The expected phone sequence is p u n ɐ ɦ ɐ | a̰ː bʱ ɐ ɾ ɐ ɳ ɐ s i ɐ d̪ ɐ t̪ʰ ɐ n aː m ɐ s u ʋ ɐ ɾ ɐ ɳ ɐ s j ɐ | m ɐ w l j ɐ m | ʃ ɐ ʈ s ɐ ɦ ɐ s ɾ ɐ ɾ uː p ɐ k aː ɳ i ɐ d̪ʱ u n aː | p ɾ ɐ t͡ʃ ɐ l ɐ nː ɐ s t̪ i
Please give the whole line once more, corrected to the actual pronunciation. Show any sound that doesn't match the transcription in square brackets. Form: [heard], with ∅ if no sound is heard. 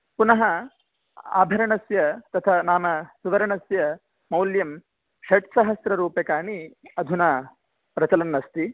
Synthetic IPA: p u n ɐ ɦ ɐ | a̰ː bʱ ɐ ɾ ɐ ɳ ɐ s [j] ɐ [t̪] ɐ t̪ʰ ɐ n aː m ɐ s u ʋ ɐ ɾ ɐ ɳ ɐ s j ɐ | m ɐ w l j ɐ m | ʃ ɐ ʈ s ɐ ɦ ɐ s ɾ ɐ ɾ uː p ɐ k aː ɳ i ɐ d̪ʱ u n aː | p ɾ ɐ t͡ʃ ɐ l ɐ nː ɐ s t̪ i